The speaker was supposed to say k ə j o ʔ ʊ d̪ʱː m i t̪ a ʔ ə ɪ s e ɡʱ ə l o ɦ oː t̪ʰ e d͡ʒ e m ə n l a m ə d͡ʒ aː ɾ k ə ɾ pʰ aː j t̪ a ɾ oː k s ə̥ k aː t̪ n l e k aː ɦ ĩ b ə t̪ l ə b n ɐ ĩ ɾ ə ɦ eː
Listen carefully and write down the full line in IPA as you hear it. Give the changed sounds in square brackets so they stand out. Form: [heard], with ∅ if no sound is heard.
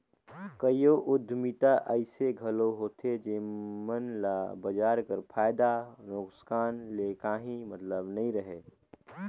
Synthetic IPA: k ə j o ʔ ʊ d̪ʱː m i t̪ a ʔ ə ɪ s e ɡʱ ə l o ɦ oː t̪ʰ e d͡ʒ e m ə n l a [b] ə d͡ʒ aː ɾ k ə ɾ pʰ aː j [d̪] a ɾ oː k s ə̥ k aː [∅] n l e k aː ɦ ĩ [m] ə t̪ l ə b n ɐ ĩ ɾ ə ɦ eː